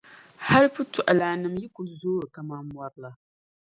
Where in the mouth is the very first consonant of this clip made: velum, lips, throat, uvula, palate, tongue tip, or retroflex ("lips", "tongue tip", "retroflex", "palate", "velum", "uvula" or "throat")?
throat